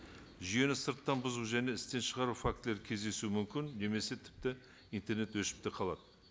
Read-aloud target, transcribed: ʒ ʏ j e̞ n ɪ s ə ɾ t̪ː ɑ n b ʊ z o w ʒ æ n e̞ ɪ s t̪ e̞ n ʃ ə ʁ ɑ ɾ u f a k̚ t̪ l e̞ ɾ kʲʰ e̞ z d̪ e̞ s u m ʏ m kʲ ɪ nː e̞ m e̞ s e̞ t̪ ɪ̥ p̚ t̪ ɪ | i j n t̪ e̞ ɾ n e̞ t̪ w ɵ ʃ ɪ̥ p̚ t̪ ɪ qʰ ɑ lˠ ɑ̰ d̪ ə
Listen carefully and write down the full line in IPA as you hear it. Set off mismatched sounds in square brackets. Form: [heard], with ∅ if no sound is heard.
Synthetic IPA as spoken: ʒ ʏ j e̞ n ɪ s ə ɾ t̪ː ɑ n b ʊ z [u] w ʒ æ n e̞ ɪ s t̪ e̞ n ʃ ə ʁ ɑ ɾ u f a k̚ t̪ l e̞ ɾ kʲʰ e̞ z d̪ e̞ s u m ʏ m kʲ ɪ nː e̞ m e̞ s e̞ [t̪ʰ] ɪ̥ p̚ t̪ ɪ | i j n t̪ e̞ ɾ n e̞ t̪ w ɵ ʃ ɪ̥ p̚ t̪ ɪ qʰ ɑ lˠ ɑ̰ d̪ ə